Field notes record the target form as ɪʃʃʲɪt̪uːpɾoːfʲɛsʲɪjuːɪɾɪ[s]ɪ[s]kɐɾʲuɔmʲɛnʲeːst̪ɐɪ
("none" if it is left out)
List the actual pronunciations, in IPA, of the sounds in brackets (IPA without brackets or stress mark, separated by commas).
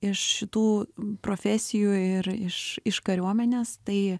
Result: ʃ, ʃ